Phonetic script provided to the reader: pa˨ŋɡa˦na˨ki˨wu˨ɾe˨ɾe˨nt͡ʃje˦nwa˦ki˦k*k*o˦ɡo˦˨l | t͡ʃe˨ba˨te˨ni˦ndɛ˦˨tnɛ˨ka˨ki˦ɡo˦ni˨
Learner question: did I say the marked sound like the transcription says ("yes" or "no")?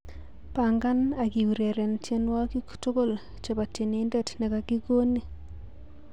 no